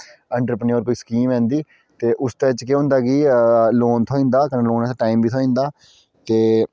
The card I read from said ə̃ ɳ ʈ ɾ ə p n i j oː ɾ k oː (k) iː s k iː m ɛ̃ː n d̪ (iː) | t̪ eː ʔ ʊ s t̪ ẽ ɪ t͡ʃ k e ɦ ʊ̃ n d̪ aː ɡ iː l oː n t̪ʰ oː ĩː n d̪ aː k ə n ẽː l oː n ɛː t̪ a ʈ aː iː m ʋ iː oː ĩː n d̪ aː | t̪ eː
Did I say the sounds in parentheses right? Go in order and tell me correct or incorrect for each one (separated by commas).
incorrect, correct